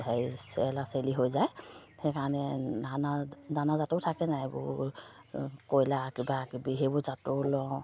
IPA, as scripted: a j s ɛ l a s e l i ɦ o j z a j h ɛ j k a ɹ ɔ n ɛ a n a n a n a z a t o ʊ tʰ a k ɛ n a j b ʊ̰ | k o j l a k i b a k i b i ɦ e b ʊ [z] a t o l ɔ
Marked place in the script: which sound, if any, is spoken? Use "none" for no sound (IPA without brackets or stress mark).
z